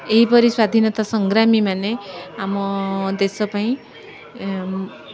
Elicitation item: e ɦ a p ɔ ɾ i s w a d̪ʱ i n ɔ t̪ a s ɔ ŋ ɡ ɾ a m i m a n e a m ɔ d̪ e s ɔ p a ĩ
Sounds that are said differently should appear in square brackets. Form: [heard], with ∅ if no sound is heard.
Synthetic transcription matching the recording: e ɦ [i] p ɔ ɾ i s w a d̪ʱ i n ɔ t̪ a s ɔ ŋ ɡ ɾ a m i m a n e a m ɔ d̪ e s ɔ p a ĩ